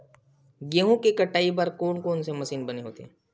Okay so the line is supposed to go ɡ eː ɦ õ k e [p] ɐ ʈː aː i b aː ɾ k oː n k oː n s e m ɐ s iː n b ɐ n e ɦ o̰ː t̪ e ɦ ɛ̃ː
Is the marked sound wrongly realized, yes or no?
yes